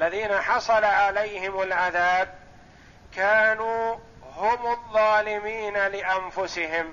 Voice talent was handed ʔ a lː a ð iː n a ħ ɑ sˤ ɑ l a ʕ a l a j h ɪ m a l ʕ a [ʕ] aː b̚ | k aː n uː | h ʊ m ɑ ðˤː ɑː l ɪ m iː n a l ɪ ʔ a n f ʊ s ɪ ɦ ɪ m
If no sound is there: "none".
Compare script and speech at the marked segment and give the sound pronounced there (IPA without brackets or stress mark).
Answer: ð